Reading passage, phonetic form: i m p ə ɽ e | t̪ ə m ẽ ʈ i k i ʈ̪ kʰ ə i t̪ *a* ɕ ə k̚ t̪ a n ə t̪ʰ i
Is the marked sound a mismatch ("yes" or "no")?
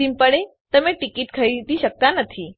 yes